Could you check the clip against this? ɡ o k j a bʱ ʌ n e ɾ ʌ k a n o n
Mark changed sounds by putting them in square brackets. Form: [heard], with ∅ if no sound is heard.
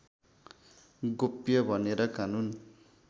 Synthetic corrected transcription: ɡ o [p] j [ʌ] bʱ ʌ n e ɾ ʌ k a n [u] n

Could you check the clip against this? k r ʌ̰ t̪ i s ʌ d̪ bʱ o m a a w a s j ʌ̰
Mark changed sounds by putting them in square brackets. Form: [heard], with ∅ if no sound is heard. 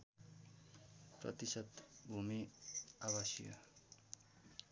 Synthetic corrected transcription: [p] r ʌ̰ t̪ i s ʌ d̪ bʱ [u] m [i] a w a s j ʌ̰

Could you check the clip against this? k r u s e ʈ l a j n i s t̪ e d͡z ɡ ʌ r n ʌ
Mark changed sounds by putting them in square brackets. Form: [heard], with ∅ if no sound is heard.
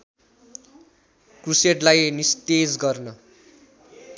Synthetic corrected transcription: k r u s e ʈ l a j n i s t̪ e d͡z ɡ ʌ r n ʌ

